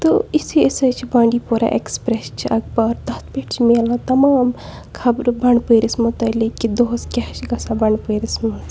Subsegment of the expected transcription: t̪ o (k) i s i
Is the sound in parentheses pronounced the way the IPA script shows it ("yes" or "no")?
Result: no